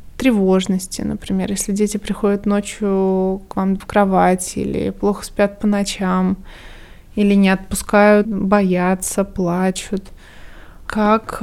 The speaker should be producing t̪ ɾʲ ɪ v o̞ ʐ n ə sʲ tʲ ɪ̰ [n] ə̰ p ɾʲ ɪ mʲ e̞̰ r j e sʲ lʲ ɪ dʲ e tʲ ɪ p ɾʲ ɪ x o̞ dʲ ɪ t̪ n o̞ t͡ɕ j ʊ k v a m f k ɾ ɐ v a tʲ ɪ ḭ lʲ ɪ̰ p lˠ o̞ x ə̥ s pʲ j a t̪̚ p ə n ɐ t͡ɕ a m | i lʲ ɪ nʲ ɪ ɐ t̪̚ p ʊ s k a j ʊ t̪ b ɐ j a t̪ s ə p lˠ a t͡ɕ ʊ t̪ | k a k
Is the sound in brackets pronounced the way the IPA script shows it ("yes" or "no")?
yes